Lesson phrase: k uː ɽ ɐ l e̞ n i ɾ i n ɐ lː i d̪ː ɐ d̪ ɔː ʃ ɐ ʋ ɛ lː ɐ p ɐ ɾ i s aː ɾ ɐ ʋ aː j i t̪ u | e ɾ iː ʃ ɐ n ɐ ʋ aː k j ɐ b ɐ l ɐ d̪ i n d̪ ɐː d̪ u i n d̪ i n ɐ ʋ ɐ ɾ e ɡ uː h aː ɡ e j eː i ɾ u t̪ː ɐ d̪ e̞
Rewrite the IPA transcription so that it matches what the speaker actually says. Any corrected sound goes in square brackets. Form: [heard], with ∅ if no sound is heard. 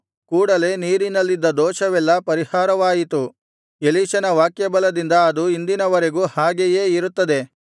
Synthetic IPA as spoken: k uː ɽ ɐ l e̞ n [iː] ɾ i n ɐ lː i d̪ː ɐ d̪ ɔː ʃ ɐ ʋ ɛ lː ɐ p ɐ ɾ i [h] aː ɾ ɐ ʋ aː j i t̪ u | e [l] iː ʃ ɐ n ɐ ʋ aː k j ɐ b ɐ l ɐ d̪ i n d̪ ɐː d̪ u i n d̪ i n ɐ ʋ ɐ ɾ e ɡ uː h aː ɡ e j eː i ɾ u t̪ː ɐ d̪ e̞